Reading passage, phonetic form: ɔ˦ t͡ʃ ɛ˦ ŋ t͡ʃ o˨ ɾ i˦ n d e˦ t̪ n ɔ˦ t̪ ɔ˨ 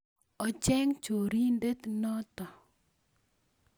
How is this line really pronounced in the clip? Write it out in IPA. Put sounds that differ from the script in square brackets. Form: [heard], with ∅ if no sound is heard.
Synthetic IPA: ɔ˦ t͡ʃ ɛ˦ ŋ t͡ʃ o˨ ɾ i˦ n d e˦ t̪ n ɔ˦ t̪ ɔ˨